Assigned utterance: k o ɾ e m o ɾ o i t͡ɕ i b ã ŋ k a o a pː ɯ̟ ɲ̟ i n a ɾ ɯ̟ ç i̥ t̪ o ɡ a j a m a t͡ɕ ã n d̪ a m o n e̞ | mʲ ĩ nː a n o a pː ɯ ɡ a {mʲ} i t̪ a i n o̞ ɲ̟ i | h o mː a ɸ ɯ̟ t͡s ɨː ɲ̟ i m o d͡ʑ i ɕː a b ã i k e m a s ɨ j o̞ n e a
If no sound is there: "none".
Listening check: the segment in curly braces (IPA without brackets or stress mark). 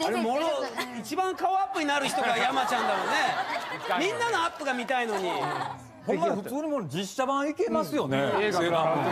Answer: mʲ